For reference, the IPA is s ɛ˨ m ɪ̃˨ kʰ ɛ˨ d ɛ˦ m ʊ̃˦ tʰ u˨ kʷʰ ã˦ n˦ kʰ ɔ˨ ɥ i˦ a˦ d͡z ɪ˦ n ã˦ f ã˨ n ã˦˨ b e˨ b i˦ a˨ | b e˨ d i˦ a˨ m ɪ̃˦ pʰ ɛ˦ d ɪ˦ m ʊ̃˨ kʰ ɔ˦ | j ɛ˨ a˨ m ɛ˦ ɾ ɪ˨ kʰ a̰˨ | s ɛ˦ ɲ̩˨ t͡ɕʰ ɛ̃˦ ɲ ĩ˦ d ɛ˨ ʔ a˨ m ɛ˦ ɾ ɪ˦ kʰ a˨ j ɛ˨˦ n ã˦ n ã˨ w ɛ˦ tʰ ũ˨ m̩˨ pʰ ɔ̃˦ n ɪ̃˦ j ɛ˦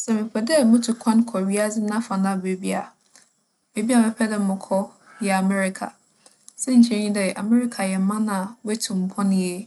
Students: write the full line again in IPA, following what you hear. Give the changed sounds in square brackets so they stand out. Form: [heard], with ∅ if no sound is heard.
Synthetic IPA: s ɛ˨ m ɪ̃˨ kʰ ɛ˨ d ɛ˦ m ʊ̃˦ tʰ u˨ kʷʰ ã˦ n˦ kʰ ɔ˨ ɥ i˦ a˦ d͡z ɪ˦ n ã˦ f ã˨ n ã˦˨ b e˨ b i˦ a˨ | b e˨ [b] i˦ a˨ m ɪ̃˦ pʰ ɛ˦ d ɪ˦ m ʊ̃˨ kʰ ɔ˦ | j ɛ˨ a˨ m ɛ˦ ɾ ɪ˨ kʰ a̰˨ | s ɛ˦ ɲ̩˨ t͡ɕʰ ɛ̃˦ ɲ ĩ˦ d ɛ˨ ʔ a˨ m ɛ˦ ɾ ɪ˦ kʰ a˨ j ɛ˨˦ [m] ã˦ n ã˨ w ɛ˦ tʰ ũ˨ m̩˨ pʰ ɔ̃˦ n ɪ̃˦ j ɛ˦